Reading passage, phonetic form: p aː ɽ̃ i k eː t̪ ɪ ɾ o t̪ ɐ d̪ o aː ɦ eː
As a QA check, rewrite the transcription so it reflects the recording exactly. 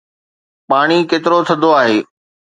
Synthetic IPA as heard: p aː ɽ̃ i k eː t̪ ɪ ɾ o t̪ʰ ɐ d̪ o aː ɦ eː